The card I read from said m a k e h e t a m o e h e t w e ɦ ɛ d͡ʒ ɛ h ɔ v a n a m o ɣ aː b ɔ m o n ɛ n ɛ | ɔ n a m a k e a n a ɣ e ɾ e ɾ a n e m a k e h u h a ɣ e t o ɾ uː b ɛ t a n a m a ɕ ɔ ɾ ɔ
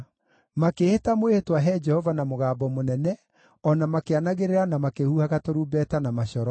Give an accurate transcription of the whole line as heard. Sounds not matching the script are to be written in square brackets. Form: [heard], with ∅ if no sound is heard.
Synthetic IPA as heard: m a k e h e t a m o e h e t w [a] ɦ ɛ d͡ʒ ɛ h ɔ v a n a m o ɣ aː b ɔ m o n ɛ n ɛ | ɔ n a m a k e a n a ɣ e ɾ e ɾ a n [a] m a k e h u h a ɣ [a] t o ɾ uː b ɛ t a n a m a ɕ ɔ ɾ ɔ